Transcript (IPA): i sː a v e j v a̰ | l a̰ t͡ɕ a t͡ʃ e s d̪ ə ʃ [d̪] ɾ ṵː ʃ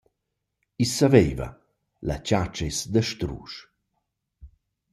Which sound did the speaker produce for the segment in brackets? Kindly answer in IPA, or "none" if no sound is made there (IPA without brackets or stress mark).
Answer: t̪